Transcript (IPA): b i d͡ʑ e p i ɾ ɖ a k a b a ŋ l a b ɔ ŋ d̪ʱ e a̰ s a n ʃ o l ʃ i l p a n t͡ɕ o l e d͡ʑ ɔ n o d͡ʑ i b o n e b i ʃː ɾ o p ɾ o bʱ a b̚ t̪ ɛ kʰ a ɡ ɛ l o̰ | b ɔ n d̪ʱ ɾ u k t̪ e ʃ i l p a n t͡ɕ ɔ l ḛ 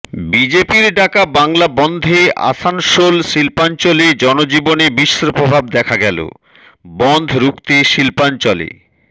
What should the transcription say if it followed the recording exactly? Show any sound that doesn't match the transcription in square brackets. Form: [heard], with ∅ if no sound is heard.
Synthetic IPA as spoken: b i d͡ʑ e p i ɾ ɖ a k a b a ŋ l a b ɔ [n] d̪ʱ e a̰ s a n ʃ o l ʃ i l p a n t͡ɕ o l e d͡ʑ ɔ n o d͡ʑ i b o n e b i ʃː ɾ o p ɾ o bʱ a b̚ [d̪] ɛ kʰ a ɡ ɛ l o̰ | b ɔ n d̪ʱ ɾ u k t̪ e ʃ i l p a n t͡ɕ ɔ l ḛ